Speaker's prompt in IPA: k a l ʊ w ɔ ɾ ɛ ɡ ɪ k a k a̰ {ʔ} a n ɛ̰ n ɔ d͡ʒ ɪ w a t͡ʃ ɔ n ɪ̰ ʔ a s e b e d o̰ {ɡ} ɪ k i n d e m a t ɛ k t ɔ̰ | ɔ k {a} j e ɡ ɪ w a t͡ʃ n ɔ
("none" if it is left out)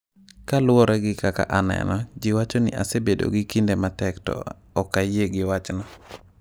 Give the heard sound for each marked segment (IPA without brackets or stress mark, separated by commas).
ʔ, ɡ, a